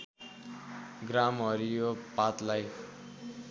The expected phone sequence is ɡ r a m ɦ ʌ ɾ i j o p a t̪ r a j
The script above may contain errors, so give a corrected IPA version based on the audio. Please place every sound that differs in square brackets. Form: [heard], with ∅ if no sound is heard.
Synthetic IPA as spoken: ɡ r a m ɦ ʌ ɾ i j o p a t̪ [l] a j